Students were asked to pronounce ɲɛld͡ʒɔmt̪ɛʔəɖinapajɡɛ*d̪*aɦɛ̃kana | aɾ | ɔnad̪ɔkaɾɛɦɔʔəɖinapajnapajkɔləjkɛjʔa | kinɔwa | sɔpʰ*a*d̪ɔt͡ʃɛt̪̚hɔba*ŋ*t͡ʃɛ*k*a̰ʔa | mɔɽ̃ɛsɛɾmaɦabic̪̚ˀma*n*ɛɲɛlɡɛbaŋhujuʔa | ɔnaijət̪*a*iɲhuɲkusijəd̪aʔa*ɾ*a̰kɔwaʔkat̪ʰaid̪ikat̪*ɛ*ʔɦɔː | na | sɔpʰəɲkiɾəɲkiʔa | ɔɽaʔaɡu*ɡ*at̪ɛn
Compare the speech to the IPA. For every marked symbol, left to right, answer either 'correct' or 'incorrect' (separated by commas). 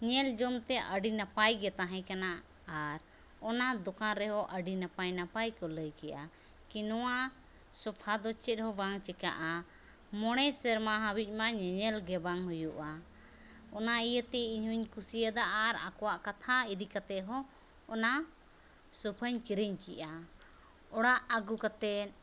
incorrect, correct, correct, correct, incorrect, incorrect, correct, correct, incorrect